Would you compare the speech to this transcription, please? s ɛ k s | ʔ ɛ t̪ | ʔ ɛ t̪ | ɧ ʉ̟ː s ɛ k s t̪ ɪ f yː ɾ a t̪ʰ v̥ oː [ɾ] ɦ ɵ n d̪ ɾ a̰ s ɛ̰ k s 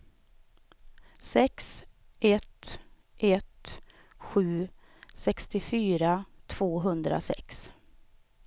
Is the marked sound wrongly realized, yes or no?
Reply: yes